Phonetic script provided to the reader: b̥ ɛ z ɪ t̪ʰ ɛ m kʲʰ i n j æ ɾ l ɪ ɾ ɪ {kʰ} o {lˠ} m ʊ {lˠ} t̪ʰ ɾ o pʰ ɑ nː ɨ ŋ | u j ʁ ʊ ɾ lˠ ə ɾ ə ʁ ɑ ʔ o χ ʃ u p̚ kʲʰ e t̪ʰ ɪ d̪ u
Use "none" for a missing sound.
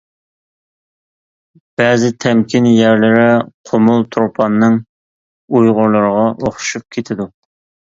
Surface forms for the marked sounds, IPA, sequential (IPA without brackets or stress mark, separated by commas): qʰ, none, lˠ